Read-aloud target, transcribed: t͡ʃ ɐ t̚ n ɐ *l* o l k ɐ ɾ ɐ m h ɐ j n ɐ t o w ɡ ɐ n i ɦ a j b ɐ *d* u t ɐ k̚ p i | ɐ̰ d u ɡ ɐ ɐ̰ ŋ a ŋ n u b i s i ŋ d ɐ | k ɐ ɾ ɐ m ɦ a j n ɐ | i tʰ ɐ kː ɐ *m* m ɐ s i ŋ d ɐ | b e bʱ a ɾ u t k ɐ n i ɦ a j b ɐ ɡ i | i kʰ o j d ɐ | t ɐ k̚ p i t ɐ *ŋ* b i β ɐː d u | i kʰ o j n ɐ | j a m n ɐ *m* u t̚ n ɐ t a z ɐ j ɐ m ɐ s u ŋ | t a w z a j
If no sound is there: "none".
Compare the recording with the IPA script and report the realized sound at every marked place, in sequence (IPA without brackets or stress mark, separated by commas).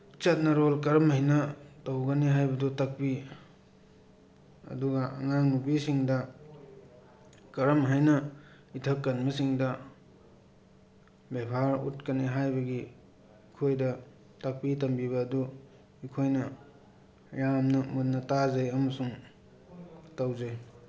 ɾ, d, n, m, m